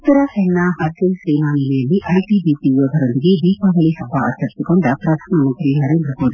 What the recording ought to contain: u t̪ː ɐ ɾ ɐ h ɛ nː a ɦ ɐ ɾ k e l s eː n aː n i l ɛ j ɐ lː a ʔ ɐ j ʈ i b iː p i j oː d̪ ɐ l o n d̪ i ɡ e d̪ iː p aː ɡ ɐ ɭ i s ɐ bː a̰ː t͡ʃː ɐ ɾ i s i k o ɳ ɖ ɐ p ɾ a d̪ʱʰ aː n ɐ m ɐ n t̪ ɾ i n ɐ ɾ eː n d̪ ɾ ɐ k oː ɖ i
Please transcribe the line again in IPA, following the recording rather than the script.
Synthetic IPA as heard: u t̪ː ɐ ɾ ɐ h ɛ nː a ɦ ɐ ɾ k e l s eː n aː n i l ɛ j ɐ lː i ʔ ɐ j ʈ i b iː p i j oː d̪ ɐ ɾ o n d̪ i ɡ e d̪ iː p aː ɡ ɐ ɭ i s ɐ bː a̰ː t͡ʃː ɐ ɾ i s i k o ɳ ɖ ɐ p ɾ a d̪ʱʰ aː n ɐ m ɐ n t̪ ɾ i n ɐ ɾ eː n d̪ ɾ ɐ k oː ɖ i

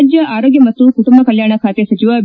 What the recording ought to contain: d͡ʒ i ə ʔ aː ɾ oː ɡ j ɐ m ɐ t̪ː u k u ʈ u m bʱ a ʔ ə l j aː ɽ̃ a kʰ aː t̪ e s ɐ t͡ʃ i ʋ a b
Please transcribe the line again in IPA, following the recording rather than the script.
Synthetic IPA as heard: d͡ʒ j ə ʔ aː ɾ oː ɡ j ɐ m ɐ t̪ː u k u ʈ u m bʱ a k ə l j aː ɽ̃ a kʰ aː t̪ e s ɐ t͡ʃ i ʋ a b

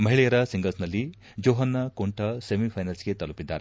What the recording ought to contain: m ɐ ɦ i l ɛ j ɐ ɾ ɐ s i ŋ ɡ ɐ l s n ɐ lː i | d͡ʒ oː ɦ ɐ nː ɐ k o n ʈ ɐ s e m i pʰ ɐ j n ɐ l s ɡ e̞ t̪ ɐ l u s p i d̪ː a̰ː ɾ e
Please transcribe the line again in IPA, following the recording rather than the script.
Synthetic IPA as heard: m ɐ ɦ i ɭ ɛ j ɐ ɾ ɐ s i ŋ ɡ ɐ l s n ɐ lː i | d͡ʒ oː ɦ ɐ nː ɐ k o ɳ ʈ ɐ s e m i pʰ ɐ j n ɐ l s ɡ e̞ t̪ ɐ l u p i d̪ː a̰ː ɾ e

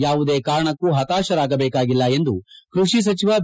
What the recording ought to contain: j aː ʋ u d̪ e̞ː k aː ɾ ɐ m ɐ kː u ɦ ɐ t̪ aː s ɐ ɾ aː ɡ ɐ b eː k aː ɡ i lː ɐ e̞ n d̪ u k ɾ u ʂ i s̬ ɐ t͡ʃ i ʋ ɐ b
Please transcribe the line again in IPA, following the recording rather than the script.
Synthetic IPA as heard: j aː ʋ u d̪ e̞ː k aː ɾ ɐ ɳ ɐ kː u ɦ ɐ t̪ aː ʃ ɐ ɾ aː ɡ ɐ b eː k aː ɡ i lː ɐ e̞ n d̪ u k ɾ u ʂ i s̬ ɐ t͡ʃ i ʋ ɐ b

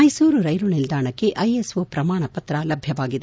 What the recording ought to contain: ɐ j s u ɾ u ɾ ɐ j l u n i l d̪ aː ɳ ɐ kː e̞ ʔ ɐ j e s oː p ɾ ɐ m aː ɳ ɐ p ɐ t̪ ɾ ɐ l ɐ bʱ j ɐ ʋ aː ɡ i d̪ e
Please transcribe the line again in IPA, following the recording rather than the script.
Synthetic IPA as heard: ɐ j s uː ɾ u ɾ ɐ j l u n i l d̪ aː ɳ ɐ kː e̞ ʔ ɐ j e s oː p ɾ ɐ m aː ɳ ɐ p ɐ t̪ ɾ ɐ l ɐ bʱ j ɐ ʋ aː ɡ i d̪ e

